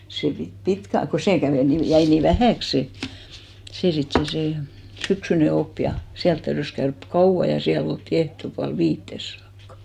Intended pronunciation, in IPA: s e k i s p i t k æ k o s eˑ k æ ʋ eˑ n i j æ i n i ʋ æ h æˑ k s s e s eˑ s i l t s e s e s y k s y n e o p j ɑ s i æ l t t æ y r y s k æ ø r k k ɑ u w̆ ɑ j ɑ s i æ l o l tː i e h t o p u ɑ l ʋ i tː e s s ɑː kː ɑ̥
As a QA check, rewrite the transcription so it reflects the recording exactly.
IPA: s e p i t p i t k æ k o s eˑ k æ ʋ eˑ n i j æ i n i ʋ æ h æˑ k s s e s eˑ s i t s e s e s y k s y n e o p j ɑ s i æ l t t æ y r y s k æ ø r k k ɑ u w̆ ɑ j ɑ s i æ l o l tː i e h t o p u ɑ l ʋ iː tː e s s ɑː kː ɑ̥